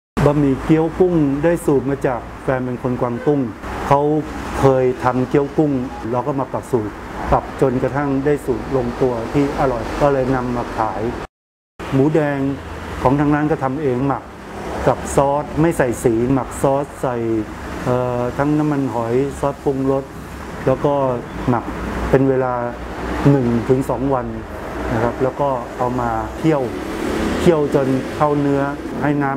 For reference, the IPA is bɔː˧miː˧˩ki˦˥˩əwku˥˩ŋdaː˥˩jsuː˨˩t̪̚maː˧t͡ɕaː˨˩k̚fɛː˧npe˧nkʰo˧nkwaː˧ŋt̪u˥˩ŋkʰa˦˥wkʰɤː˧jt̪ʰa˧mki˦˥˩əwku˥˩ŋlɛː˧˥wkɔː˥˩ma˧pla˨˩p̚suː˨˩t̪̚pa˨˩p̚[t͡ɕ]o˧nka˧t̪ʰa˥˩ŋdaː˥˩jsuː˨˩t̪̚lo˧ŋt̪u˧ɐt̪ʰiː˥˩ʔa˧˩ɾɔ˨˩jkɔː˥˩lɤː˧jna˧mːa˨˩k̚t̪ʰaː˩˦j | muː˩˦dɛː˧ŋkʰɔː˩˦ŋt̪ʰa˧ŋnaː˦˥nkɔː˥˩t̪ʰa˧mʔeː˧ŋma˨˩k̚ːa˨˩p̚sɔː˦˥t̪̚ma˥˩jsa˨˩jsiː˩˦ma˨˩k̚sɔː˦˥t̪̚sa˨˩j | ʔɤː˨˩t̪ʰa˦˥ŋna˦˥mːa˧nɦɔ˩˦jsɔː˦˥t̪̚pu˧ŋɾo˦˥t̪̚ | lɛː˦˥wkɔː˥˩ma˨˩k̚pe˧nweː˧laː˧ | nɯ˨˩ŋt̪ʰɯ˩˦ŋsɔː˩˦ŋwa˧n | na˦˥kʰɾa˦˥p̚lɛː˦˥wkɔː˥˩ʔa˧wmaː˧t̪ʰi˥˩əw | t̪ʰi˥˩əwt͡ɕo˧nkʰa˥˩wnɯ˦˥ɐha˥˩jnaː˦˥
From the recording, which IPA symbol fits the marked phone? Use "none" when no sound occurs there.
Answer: t͡ɕ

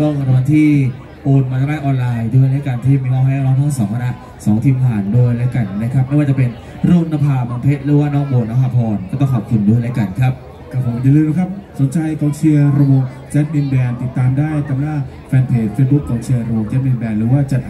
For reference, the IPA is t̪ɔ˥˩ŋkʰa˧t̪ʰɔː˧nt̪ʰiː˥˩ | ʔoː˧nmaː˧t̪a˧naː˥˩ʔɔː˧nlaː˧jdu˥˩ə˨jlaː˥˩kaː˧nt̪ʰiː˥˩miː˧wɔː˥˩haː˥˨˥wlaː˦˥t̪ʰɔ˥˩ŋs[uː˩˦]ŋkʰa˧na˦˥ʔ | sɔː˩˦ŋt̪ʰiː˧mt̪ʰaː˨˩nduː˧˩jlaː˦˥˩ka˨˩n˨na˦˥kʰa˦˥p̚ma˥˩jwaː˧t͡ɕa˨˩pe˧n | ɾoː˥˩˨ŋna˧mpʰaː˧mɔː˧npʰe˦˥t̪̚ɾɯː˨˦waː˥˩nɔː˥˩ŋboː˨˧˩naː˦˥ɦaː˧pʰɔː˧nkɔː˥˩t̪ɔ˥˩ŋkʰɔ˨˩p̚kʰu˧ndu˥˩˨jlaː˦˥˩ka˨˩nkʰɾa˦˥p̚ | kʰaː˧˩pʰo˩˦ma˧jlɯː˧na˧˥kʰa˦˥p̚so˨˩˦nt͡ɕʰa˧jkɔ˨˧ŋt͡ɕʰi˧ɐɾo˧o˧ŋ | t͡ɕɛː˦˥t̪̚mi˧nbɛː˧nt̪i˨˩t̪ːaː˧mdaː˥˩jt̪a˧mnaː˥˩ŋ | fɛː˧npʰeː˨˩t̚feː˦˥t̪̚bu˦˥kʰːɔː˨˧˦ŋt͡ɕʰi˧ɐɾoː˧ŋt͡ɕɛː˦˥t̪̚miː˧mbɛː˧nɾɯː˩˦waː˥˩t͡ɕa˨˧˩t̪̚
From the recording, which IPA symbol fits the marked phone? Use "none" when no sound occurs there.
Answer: ɔː˩˦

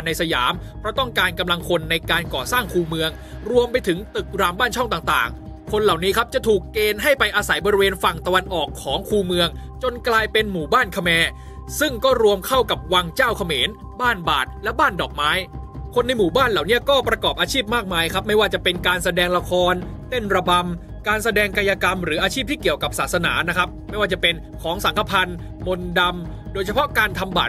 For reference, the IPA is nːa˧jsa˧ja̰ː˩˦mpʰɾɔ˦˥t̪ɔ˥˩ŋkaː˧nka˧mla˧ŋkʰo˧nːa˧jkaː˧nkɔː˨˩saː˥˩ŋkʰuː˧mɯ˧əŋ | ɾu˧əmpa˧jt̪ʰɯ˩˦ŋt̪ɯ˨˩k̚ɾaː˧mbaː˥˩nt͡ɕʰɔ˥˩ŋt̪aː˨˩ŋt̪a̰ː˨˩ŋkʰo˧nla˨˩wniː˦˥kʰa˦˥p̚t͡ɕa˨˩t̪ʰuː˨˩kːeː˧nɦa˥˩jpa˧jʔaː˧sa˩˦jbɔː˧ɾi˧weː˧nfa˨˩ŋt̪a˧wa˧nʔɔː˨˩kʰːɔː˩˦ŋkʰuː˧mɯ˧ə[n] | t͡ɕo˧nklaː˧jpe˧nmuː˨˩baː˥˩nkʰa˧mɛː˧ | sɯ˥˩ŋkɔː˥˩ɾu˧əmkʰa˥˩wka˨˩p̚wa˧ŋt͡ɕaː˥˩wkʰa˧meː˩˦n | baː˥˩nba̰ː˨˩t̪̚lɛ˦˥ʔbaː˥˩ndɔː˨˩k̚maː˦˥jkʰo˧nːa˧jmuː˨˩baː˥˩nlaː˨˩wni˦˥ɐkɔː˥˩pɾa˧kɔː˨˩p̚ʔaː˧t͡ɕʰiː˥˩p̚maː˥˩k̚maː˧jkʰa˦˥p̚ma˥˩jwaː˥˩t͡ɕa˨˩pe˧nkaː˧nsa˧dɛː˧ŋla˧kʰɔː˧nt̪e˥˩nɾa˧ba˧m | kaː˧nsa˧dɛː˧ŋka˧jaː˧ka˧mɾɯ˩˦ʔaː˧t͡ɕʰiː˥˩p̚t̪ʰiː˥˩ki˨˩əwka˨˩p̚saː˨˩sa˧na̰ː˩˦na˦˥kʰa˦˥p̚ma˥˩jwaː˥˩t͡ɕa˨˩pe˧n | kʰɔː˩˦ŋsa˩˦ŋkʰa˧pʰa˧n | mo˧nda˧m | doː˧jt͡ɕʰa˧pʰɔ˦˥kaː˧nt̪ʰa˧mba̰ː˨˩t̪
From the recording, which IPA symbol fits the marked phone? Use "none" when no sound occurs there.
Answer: ŋ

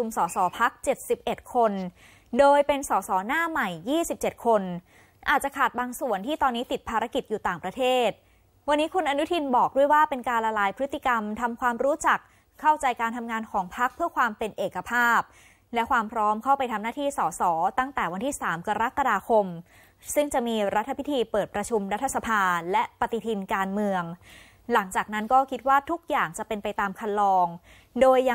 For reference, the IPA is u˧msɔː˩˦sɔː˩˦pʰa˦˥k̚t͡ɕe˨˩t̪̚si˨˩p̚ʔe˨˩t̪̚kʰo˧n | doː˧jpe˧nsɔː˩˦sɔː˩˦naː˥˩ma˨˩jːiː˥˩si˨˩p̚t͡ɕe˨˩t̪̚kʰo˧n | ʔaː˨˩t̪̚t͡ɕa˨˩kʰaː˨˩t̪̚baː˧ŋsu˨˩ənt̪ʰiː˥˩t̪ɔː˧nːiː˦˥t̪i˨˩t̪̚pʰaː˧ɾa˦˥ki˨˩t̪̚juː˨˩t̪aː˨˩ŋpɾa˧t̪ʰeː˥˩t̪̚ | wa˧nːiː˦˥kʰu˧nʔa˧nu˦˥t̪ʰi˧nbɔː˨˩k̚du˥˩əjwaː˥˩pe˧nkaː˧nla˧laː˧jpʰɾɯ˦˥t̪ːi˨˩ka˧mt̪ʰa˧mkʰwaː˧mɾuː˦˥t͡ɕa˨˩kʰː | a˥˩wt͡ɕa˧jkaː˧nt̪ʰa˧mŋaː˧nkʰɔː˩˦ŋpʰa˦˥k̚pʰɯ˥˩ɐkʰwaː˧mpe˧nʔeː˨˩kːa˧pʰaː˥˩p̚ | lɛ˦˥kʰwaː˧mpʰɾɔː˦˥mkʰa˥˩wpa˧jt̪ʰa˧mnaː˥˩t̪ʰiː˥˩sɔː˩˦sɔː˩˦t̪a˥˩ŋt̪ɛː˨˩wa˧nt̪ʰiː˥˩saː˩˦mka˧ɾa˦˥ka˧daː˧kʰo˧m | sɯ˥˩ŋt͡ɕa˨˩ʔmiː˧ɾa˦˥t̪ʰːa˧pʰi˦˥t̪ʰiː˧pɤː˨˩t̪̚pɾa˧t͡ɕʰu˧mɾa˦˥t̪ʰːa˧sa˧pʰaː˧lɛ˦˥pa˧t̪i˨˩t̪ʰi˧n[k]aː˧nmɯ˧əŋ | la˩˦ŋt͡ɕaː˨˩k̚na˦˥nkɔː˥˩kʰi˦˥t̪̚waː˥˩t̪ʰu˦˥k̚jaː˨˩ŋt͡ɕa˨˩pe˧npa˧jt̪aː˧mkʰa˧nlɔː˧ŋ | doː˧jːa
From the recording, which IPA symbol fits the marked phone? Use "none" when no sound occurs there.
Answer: k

